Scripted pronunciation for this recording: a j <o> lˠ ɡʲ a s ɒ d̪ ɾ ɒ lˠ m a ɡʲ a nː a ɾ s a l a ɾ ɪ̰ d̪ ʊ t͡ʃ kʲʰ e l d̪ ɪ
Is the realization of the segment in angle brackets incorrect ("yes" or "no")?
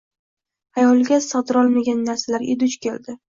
yes